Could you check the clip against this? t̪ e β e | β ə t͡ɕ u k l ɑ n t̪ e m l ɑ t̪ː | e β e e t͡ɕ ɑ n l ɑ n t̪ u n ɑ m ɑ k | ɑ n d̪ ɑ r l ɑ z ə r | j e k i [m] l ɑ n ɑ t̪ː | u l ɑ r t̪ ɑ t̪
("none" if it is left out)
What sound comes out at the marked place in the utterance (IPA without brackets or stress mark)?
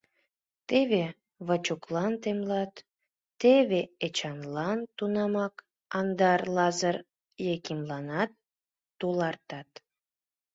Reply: m